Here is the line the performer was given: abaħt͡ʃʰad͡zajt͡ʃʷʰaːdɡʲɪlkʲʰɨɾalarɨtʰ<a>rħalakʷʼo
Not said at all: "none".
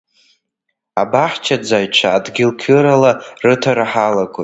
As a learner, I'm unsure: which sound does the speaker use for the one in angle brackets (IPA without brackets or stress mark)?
a